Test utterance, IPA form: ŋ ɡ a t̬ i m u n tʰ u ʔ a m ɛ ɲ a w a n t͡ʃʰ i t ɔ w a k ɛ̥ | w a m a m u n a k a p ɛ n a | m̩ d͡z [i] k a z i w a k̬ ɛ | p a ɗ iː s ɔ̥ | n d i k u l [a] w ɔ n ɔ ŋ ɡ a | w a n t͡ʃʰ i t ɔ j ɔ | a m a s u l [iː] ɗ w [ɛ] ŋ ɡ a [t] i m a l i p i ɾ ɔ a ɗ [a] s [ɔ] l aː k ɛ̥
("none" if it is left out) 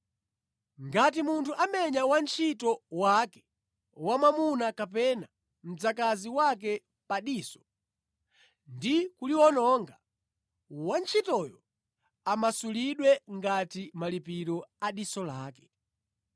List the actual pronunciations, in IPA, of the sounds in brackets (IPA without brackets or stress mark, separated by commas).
a, i, i, ɛ, t, i, ɔ